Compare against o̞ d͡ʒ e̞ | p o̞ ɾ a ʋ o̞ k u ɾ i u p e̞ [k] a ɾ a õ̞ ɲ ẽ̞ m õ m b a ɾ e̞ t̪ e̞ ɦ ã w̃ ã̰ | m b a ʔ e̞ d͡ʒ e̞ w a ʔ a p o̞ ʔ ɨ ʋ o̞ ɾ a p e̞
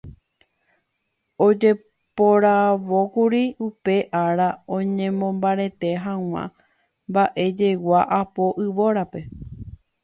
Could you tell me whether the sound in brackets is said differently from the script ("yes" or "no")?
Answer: yes